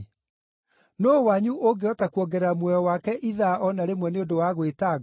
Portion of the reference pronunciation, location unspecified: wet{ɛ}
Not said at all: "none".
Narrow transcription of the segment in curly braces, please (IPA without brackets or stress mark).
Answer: a